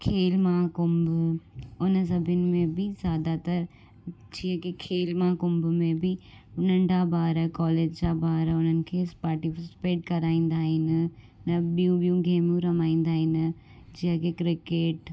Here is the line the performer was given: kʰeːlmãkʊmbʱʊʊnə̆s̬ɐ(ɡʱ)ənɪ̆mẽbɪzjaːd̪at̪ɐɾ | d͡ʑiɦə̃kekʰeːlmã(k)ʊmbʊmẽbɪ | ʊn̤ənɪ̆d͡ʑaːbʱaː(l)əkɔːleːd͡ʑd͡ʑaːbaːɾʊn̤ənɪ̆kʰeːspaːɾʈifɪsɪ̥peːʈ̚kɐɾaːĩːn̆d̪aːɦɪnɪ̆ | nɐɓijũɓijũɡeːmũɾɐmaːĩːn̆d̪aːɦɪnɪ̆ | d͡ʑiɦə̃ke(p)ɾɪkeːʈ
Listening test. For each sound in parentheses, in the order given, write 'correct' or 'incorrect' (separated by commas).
incorrect, correct, incorrect, incorrect